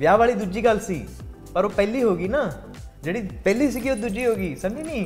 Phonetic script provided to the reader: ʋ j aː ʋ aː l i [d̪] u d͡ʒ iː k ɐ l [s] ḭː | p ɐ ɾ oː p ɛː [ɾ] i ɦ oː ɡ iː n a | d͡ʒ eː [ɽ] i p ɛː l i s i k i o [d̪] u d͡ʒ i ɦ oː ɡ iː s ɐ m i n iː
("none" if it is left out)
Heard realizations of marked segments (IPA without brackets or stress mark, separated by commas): d̪, s, l, ɽ, d̪